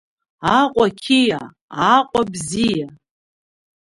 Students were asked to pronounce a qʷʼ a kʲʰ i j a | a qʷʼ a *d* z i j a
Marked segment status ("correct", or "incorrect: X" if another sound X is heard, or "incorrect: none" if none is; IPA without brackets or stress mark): incorrect: b